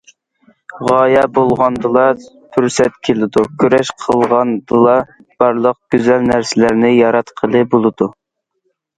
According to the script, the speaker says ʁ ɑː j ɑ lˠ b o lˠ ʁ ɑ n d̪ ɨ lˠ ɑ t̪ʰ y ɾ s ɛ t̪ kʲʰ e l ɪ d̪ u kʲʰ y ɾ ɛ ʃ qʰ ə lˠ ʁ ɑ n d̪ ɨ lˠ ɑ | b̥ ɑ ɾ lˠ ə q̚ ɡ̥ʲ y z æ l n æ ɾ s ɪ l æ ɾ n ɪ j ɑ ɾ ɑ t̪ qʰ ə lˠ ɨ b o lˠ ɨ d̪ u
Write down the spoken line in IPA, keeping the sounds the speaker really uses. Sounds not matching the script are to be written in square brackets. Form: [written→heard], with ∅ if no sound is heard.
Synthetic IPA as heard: ʁ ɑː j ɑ [lˠ→∅] b o lˠ ʁ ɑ n d̪ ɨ lˠ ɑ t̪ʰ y ɾ s ɛ t̪ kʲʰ e l ɪ d̪ u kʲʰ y ɾ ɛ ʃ qʰ ə lˠ ʁ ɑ n d̪ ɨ lˠ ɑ | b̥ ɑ ɾ lˠ ə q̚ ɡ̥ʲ y z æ l n æ ɾ s ɪ l æ ɾ n ɪ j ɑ ɾ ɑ t̪ qʰ ə lˠ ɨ b o lˠ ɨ d̪ u